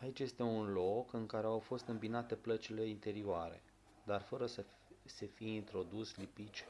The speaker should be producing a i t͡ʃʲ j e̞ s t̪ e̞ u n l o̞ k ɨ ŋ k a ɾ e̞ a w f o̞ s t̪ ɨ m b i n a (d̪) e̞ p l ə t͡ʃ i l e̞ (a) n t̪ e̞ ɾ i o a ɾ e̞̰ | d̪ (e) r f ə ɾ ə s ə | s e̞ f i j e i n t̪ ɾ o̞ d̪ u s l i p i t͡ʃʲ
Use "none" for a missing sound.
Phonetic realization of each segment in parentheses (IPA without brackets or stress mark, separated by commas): t̪, i, a